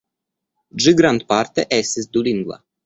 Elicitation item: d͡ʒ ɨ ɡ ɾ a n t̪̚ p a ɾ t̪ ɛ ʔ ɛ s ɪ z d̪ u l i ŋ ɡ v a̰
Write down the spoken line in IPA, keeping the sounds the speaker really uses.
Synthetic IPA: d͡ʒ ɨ ɡ ɾ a n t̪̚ p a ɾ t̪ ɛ ʔ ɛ s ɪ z d̪ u l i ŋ ɡ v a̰